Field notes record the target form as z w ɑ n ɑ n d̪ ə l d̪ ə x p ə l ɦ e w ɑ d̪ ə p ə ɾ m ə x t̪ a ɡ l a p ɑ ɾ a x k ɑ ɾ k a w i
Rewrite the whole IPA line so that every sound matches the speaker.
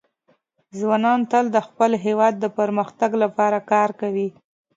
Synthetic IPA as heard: z w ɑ n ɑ n t̪ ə l d̪ ə x p ə l ɦ e w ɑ d̪ː ə p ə ɾ m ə x t̪ a ɡ l a p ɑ ɾ a k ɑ ɾ k a w i